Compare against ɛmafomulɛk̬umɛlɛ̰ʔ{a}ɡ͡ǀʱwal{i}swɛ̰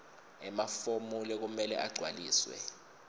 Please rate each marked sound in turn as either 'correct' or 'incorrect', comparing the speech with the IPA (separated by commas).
correct, incorrect